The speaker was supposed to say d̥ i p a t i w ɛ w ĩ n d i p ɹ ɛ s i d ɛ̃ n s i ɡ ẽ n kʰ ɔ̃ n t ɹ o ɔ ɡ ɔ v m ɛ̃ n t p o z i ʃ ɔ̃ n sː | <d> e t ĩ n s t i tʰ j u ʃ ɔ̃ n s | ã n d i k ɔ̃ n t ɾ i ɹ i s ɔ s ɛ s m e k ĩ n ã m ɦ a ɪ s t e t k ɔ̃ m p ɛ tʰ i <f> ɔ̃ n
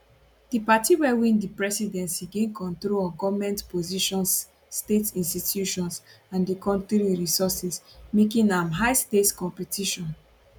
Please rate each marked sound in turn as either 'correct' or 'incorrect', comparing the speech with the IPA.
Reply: incorrect: t, incorrect: ʃ

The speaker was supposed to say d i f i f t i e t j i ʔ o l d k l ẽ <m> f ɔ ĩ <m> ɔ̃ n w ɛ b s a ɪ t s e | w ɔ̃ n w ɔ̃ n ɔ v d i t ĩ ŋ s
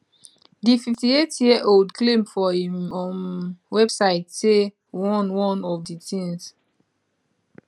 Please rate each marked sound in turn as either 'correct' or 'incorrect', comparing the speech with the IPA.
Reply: correct, correct

